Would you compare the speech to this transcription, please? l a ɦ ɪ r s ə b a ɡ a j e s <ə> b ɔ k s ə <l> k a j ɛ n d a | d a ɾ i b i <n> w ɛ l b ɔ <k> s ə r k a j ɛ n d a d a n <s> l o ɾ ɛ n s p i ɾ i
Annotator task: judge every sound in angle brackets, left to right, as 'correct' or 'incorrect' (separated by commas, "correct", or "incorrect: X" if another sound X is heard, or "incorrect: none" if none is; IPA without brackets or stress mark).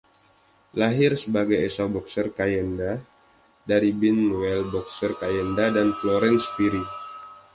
incorrect: a, incorrect: r, correct, correct, incorrect: f